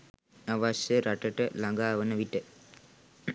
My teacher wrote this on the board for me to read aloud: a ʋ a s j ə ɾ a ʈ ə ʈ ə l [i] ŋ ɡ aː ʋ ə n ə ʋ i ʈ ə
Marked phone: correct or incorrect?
incorrect: a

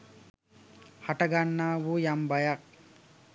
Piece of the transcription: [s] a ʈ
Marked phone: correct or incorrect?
incorrect: h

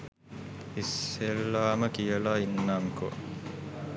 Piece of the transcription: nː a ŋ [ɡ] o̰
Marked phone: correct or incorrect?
incorrect: k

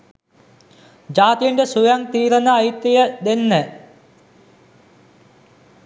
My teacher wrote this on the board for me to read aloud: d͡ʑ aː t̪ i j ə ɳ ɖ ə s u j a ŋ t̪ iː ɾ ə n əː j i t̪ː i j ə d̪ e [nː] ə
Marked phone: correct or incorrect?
correct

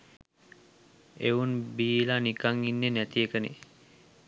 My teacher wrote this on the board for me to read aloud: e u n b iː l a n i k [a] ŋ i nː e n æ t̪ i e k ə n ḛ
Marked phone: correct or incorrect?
correct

